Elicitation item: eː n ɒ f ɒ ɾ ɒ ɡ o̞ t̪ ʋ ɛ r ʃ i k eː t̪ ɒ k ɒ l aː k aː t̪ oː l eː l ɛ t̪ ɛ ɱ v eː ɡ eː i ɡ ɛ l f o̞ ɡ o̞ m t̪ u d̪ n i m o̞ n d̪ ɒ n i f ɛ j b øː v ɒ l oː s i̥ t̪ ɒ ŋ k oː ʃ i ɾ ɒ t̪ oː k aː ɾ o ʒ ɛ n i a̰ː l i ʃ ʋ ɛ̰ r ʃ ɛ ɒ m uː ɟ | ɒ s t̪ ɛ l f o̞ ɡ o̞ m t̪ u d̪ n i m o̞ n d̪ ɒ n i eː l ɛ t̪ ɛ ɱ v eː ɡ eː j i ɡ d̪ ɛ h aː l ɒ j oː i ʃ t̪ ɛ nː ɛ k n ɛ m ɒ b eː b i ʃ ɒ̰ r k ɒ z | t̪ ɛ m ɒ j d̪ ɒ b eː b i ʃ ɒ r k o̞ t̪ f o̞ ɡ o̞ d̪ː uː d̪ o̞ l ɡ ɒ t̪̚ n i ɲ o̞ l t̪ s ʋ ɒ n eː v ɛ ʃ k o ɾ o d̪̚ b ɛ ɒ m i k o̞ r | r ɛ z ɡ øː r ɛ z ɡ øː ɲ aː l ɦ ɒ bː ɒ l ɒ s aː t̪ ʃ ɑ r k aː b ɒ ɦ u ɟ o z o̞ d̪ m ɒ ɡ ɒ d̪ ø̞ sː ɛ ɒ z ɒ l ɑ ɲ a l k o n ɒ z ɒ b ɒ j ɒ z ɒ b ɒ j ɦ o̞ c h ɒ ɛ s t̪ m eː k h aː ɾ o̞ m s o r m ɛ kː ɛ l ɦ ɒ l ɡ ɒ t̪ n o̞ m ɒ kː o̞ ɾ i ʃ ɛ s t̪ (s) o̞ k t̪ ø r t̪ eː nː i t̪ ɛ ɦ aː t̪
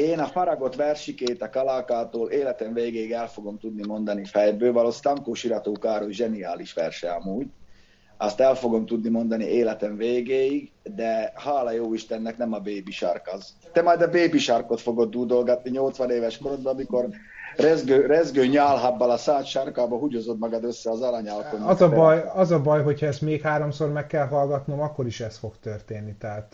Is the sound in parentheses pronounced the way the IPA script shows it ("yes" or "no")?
no